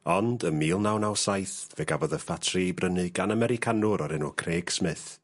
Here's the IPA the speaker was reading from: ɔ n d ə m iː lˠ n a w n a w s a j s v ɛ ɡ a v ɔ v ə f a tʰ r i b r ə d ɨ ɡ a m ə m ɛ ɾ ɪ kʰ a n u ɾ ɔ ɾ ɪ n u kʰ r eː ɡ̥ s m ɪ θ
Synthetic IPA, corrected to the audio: ɔ n d ə m iː lˠ n a w n a w s a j θ v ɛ ɡ a v ɔ ð ə f a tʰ r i b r ə n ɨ ɡ a n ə m ɛ ɾ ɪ kʰ a n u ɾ ɔ ɾ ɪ n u kʰ r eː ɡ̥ s m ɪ θ